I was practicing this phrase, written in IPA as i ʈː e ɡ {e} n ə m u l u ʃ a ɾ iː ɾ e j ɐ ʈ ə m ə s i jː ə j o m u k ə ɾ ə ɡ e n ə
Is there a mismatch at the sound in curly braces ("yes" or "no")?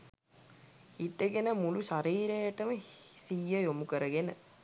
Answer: no